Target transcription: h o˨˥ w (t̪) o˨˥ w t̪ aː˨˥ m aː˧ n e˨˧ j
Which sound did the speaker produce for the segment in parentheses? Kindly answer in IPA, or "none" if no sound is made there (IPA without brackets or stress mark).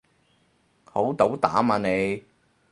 t̪